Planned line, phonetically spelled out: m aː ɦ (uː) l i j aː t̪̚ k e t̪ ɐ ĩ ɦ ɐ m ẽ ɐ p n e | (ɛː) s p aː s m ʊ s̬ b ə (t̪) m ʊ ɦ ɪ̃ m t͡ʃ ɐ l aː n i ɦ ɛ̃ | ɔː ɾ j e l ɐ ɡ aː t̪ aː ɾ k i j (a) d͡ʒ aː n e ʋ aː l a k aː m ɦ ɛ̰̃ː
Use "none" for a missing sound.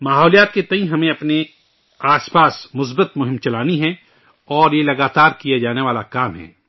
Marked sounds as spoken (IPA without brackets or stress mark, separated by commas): ɔː, aː, t̪, a